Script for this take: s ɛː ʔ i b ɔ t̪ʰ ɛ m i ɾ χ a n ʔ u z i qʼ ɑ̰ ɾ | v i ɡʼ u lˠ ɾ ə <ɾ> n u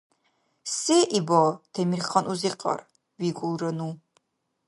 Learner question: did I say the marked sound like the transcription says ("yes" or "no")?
no